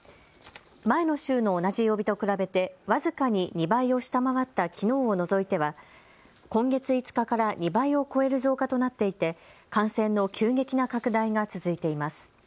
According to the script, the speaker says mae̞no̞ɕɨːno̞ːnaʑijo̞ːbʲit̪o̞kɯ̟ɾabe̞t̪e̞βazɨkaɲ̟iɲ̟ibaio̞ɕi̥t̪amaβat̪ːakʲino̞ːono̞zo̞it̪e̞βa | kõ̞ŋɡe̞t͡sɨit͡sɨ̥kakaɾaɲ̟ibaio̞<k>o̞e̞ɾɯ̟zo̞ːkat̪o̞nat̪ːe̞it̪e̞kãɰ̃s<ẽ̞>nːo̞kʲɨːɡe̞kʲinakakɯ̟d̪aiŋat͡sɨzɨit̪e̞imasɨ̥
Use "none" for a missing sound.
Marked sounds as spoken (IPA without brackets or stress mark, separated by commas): k, ẽ̞